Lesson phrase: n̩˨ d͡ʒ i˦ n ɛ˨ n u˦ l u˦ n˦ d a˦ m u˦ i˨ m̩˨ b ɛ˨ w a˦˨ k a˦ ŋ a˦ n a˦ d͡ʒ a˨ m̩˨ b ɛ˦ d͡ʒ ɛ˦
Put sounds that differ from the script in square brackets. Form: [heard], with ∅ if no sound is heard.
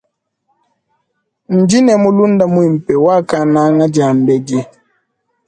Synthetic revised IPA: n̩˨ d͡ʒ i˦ n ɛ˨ [m] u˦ l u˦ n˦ d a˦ m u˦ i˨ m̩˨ [p] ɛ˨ w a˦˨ k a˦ [n] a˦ [ŋ] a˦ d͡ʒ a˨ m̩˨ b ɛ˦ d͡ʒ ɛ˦